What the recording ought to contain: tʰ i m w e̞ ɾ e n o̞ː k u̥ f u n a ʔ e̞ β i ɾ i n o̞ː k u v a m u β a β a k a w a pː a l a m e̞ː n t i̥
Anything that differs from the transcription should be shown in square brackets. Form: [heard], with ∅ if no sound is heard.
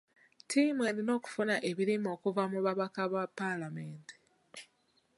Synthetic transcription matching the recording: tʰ i m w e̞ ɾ [i] n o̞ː k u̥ f u n a ʔ e̞ β i ɾ i [m] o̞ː k u v a m u β a β a k a [β] a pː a l a m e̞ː n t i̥